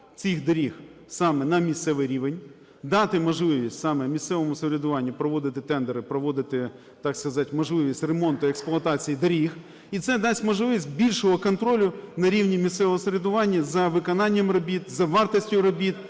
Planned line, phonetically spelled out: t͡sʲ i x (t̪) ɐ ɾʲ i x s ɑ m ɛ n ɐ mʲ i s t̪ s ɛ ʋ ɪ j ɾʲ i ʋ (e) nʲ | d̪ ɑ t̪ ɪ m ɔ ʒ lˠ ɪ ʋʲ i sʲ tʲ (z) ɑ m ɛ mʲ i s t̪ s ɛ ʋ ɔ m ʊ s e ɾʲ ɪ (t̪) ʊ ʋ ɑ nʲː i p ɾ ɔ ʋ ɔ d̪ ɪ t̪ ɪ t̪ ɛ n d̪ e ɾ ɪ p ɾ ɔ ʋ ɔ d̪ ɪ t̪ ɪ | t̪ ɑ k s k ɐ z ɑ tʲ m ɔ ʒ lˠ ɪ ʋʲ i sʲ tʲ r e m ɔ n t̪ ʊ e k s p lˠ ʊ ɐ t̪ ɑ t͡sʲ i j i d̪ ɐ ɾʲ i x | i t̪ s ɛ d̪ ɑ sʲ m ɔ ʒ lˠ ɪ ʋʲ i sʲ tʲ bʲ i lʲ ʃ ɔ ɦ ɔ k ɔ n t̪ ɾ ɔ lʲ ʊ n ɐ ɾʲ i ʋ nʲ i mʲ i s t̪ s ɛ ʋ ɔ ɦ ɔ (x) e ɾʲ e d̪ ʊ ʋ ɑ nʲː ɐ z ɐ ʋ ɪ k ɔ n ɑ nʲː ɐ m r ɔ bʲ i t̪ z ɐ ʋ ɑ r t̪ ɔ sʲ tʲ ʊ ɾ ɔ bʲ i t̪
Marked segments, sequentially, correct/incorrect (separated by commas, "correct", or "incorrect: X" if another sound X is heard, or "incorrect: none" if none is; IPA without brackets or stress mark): incorrect: d̪, correct, incorrect: s, incorrect: d̪, incorrect: s